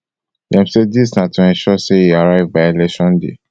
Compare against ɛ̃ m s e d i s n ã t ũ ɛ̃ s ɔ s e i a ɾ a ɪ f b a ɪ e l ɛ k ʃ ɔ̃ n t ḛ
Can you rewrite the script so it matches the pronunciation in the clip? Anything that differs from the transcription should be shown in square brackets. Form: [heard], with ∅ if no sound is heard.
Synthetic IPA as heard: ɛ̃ m s e d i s n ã t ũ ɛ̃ [ʃ] ɔ s e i a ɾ a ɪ [v] b a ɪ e l ɛ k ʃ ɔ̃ n [d] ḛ